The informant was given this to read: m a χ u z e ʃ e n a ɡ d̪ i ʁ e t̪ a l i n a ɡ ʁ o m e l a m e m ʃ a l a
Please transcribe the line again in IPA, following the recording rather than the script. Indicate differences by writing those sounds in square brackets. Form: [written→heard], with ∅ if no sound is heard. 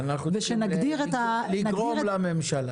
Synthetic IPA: [m→n] a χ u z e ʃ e n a ɡ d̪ i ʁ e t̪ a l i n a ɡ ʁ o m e l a m e m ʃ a l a

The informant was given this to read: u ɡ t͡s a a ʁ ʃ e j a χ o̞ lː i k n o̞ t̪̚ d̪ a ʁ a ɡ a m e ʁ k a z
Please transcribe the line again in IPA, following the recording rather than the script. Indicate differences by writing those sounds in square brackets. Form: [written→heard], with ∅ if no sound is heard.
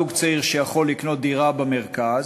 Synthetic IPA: u ɡ t͡s a [a→i] ʁ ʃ e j a χ o̞ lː i k n o̞ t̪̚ d̪ [a→i] ʁ a [ɡ→b] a m e ʁ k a z

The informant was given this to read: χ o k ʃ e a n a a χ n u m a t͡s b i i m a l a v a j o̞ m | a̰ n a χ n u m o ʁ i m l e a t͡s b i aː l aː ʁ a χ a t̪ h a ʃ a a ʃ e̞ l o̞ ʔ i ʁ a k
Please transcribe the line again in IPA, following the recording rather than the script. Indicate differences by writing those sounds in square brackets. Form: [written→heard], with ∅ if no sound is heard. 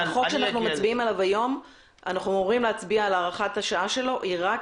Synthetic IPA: χ o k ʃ e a n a a χ n u m a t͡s b i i m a l a v a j o̞ m | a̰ n a χ n u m o ʁ i m l e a t͡s b i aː l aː ʁ a χ a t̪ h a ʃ a a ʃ e̞ l o̞ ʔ i ʁ a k

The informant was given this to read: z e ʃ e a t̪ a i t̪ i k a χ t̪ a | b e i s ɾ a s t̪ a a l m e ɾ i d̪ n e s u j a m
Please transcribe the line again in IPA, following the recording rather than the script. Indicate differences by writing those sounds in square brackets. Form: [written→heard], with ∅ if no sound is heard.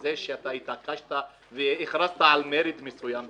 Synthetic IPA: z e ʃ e a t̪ a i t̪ [i→a] k a [χ→ʃ] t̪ a | [b→v] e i [s→χ] ɾ a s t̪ a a l m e ɾ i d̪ [n→m] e s u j a m

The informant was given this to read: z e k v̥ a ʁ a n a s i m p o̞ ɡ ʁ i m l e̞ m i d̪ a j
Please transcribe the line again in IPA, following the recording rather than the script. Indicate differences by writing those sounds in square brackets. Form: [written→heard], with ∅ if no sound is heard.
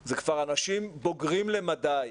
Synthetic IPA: z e k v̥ a ʁ a n a [s→ʃ] i m [p→b] o̞ ɡ ʁ i m l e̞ m [i→a] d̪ a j

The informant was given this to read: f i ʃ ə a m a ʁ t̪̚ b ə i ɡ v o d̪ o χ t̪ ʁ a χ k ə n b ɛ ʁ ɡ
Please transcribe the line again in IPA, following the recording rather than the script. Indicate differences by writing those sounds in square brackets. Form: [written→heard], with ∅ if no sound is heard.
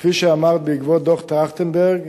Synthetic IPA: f i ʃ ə a m a ʁ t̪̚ b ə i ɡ v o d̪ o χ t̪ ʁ a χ [k→t] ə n b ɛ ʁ ɡ

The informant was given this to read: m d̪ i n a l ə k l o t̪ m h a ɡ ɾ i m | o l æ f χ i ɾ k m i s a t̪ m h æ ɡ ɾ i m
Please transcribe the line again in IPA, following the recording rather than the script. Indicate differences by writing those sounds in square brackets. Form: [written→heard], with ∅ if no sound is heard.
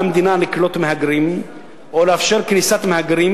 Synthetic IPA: m d̪ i n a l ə k l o t̪ m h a ɡ ɾ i m | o l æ f [χ→ʃ] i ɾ k [m→n] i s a t̪ m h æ ɡ ɾ i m

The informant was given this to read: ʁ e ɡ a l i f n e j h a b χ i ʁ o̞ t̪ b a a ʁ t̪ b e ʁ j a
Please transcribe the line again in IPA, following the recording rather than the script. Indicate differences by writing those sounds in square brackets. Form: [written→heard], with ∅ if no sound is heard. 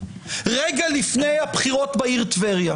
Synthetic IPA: ʁ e ɡ a l i f n e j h a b χ i ʁ o̞ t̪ b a [a→i] ʁ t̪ [b→v] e ʁ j a

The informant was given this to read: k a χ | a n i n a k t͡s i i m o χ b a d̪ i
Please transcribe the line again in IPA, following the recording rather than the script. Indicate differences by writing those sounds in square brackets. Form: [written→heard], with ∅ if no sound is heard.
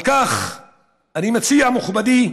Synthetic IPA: k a χ | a n i [n→m] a [k→∅] t͡s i [i→a] m [o→u] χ b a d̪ i

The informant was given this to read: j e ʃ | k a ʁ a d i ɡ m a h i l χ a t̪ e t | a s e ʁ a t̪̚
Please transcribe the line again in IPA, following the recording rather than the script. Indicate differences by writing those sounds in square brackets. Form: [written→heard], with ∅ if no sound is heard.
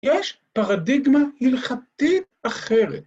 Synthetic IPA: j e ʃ | [k→p] a ʁ a d i ɡ m a h i l χ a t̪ [e→i] t | a [s→χ] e ʁ [a→e] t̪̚

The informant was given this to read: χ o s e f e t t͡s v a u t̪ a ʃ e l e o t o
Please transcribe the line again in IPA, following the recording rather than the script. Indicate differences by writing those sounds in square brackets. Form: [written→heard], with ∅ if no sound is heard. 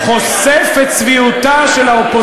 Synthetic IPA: χ o s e f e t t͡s v [a→i] u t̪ a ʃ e l [e→a] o [t→p] o

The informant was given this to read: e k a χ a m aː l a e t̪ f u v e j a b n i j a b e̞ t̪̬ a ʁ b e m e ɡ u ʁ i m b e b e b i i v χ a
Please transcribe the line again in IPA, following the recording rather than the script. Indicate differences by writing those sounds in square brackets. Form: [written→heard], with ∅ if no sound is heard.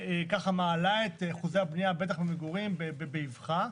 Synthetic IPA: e k a χ a m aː l a e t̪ [f→χ] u [v→z] e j a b n i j a b e̞ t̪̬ a [ʁ→χ] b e m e ɡ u ʁ i m b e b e b [i→e] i v χ a

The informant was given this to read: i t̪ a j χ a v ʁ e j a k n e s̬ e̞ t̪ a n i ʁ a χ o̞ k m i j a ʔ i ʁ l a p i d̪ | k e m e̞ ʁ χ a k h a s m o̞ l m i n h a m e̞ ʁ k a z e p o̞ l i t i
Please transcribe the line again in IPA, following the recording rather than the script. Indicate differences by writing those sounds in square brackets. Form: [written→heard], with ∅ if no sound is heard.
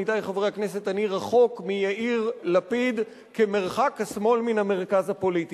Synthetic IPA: i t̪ a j χ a v ʁ e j a k n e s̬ e̞ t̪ a n i ʁ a χ o̞ k m i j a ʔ i ʁ l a p i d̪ | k e m e̞ ʁ χ a k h a s m o̞ l m i n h a m e̞ ʁ k a z [e→a] p o̞ l i t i

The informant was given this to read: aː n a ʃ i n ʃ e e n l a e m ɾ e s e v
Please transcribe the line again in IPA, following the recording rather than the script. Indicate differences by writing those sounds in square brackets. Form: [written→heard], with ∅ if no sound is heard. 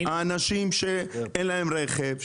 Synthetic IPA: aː n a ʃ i [n→m] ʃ e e n l a e m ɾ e [s→χ] e v

